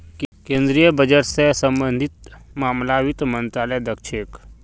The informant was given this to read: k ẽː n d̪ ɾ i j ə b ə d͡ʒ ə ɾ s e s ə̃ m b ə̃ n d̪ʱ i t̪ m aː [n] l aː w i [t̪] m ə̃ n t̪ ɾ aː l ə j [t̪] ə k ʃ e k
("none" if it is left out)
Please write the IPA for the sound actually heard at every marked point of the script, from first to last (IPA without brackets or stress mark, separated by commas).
m, t̪, d̪